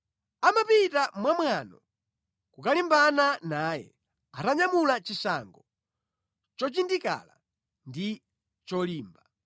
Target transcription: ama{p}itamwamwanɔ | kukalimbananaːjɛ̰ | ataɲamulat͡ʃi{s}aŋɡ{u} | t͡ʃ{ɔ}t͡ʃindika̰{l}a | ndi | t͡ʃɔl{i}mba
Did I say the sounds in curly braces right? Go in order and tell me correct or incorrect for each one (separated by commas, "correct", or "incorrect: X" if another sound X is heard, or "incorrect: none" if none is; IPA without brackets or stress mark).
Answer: correct, correct, incorrect: ɔ, correct, correct, incorrect: iː